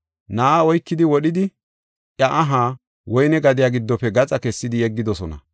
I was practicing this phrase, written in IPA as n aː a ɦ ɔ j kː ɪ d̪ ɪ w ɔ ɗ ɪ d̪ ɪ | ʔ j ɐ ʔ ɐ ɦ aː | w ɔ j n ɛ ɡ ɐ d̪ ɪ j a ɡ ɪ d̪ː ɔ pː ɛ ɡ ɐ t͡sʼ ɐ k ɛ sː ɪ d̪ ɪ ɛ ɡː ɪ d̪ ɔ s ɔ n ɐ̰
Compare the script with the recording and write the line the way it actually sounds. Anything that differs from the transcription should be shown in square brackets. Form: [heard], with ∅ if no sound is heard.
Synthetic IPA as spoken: n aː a [∅] ɔ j kː ɪ d̪ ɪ w ɔ ɗ ɪ d̪ ɪ | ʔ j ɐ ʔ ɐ ɦ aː | w ɔ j n ɛ ɡ ɐ d̪ ɪ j a ɡ ɪ d̪ː ɔ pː ɛ ɡ ɐ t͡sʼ ɐ k ɛ sː ɪ d̪ ɪ ɛ ɡː ɪ d̪ ɔ s ɔ n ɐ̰